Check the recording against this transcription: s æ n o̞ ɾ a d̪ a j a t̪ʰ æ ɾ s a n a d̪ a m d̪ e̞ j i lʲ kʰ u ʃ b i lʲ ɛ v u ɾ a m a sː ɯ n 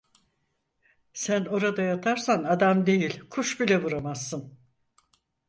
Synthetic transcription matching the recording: s æ n o̞ ɾ a d̪ a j a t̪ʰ a ɾ s a n a d̪ a m d̪ e̞ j i lʲ kʰ u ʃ b i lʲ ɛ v u ɾ a m a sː ɯ n

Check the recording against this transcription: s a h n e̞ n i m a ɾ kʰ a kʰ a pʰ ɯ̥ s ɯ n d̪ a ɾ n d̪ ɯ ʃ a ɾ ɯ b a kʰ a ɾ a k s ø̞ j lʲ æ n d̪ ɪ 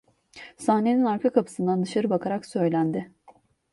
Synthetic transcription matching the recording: s a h n e̞ n i n a ɾ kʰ a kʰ a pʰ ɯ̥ s ɯ n d̪ a n d̪ ɯ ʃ a ɾ ɯ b a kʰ a ɾ a k s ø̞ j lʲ æ n d̪ ɪ

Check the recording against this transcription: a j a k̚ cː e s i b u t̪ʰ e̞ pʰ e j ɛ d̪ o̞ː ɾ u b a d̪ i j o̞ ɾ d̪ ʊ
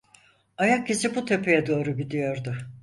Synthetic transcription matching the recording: a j a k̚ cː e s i b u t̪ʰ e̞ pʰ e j ɛ d̪ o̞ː ɾ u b i d̪ i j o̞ ɾ d̪ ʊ

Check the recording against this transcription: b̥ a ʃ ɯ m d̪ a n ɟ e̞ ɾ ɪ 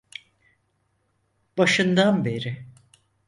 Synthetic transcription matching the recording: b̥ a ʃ ɯ n d̪ a n b e̞ ɾ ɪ

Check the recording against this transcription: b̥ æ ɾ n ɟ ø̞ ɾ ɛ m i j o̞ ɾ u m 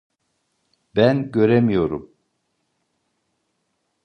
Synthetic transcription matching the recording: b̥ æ n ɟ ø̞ ɾ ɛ m i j o̞ ɾ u m

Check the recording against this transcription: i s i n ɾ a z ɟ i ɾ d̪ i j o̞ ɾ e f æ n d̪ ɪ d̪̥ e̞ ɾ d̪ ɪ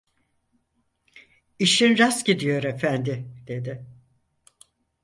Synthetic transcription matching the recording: i ʃ i n ɾ a s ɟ i d̪ i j o̞ ɾ e f æ n d̪ ɪ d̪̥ e̞ d̪ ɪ

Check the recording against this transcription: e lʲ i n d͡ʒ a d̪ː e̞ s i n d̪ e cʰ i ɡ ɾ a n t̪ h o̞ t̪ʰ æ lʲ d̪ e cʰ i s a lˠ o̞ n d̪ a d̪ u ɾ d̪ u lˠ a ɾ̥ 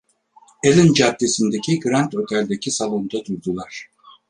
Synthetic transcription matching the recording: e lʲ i n d͡ʒ a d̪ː e̞ s i n d̪ e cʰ i ɡ ɾ a n t̪ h o̞ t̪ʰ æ lʲ d̪ e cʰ i s a lˠ o̞ n d̪ a d̪ u ɾ d̪ u lˠ a ɾ̥

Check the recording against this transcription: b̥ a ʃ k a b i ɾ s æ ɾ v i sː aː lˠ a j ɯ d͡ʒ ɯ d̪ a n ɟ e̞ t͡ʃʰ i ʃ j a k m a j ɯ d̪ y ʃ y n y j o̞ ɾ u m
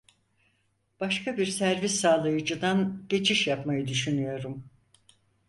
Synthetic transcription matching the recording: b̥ a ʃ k a b i ɾ s æ ɾ v i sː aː lˠ a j ɯ d͡ʒ ɯ d̪ a n ɟ e̞ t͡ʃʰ i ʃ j a p m a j ɯ d̪ y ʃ y n y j o̞ ɾ u m

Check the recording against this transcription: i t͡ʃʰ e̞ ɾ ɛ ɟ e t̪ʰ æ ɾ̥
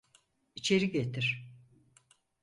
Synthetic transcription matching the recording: i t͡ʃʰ e̞ ɾ i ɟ e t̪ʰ i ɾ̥

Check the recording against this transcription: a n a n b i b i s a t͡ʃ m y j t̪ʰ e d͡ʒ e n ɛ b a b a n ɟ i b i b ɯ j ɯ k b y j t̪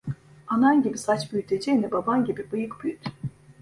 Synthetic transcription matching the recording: a n a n ɟ i b i s a t͡ʃ b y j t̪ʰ e d͡ʒ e n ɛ b a b a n ɟ i b i b ɯ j ɯ k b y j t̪

